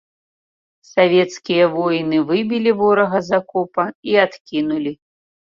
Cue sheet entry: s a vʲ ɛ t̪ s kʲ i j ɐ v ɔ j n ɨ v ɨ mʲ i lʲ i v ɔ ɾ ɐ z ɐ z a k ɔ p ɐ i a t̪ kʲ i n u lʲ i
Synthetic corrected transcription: s a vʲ ɛ t̪ s kʲ i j ɐ v ɔ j n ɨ v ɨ bʲ i lʲ i v ɔ ɾ ɐ ɣ ɐ z a k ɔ p ɐ i a t̪ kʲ i n u lʲ i